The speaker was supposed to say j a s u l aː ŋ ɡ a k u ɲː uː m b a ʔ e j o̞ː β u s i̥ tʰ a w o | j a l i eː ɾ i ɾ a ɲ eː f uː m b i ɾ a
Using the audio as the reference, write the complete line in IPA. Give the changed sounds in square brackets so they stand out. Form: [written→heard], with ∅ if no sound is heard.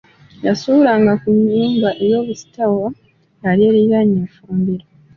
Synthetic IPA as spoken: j a s u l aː ŋ ɡ a k u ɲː uː m b a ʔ e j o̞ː β u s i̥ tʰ a w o | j a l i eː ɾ i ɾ a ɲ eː f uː m b i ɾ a